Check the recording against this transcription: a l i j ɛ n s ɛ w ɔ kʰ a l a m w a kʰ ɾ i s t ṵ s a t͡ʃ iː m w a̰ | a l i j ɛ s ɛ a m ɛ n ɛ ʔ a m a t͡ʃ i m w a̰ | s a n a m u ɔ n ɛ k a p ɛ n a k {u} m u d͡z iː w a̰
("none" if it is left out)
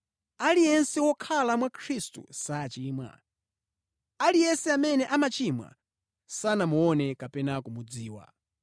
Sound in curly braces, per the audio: u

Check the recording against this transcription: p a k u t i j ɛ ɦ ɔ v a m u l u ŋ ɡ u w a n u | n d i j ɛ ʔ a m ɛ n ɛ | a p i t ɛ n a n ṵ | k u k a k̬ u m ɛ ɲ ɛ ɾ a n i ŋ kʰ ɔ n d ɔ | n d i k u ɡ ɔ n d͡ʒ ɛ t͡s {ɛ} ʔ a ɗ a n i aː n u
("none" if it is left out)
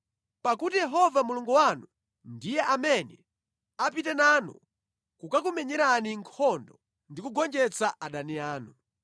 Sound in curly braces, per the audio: a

